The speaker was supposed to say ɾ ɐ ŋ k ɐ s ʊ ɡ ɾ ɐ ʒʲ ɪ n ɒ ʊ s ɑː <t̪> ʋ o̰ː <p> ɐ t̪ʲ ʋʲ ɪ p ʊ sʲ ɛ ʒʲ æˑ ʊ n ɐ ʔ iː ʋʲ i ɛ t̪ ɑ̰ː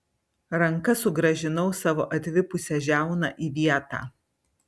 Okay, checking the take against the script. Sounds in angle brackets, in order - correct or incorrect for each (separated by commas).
incorrect, incorrect